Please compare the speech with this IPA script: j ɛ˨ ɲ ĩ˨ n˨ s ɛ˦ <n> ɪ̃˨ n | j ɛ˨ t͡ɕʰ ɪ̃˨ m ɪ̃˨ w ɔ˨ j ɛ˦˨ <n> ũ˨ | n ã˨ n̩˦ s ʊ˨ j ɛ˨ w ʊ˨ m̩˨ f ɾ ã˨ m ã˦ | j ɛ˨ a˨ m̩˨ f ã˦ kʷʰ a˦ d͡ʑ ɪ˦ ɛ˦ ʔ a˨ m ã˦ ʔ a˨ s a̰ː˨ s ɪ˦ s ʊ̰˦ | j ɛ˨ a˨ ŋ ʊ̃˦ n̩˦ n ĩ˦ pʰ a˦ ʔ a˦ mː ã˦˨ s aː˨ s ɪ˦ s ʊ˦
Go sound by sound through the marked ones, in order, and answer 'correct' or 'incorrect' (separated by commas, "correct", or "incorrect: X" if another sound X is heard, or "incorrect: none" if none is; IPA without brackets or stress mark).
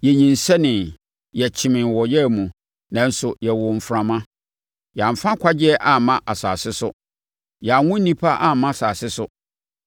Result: correct, incorrect: m